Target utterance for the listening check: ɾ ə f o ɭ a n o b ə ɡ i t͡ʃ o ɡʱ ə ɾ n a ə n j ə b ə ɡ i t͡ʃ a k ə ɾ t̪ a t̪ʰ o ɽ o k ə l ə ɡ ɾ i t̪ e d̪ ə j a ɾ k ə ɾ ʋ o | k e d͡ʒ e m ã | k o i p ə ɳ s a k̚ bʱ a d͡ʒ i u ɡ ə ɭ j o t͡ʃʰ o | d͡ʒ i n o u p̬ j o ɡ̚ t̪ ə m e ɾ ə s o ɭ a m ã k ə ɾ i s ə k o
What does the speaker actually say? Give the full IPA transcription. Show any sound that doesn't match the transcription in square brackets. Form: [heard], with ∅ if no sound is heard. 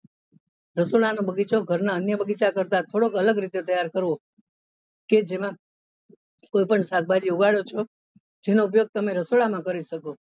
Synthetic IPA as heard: ɾ ə [s] o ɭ a n o b ə ɡ i t͡ʃ o ɡʱ ə ɾ n a ə n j ə b ə ɡ i t͡ʃ a k ə ɾ t̪ a t̪ʰ o ɽ o k ə l ə ɡ ɾ i t̪ e [t̪] ə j a ɾ k ə ɾ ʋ o | k e d͡ʒ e m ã | k o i p ə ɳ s a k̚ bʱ a d͡ʒ i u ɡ [a] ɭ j o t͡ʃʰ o | d͡ʒ [e] n o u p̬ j o ɡ̚ t̪ ə m e ɾ ə s o ɭ a m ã k ə ɾ i [ʃ] ə k o